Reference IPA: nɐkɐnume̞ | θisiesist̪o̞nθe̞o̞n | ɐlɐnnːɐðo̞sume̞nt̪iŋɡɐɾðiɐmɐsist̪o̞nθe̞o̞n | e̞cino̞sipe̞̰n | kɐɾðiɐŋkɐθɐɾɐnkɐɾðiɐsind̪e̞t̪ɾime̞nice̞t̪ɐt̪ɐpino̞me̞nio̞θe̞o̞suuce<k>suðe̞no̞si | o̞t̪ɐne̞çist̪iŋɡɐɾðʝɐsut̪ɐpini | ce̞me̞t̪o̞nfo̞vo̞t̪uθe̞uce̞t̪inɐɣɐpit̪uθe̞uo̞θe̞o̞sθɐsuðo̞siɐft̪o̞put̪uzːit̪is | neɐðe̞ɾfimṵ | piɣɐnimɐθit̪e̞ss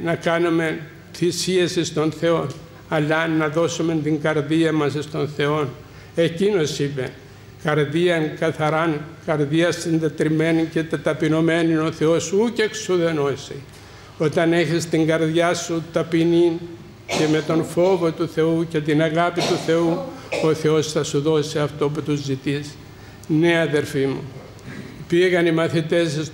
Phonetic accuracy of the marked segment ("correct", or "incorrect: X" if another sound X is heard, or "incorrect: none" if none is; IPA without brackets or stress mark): correct